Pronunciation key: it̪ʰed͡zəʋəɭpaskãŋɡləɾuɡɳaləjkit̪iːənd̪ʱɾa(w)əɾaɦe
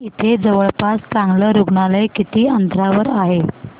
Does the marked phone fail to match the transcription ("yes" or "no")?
yes